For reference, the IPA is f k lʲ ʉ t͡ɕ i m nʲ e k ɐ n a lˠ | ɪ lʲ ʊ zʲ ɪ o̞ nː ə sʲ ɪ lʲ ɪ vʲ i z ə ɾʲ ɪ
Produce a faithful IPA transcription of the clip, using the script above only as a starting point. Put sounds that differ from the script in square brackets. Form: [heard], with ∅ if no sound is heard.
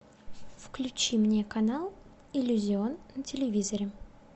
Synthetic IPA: f k lʲ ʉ t͡ɕ i m nʲ e k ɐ n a lˠ | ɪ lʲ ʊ zʲ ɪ o̞ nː ə [tʲ] ɪ lʲ ɪ vʲ i z ə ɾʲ ɪ